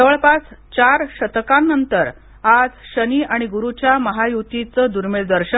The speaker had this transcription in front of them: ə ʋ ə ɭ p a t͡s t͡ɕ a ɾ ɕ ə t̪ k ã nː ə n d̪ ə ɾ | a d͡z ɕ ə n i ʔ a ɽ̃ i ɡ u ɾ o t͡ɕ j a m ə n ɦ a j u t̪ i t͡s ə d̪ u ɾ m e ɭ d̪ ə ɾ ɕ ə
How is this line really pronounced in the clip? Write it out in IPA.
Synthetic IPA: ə ʋ ə ɭ p a t͡s t͡ɕ a ɾ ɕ ə t̪ k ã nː ə n t̪ ə ɾ | a d͡z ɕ ə n i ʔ a ɽ̃ i ɡ u ɾ u t͡ɕ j a m ə ɦ a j u t̪ i t͡s ə d̪ u ɾ m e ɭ d̪ ə ɾ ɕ ə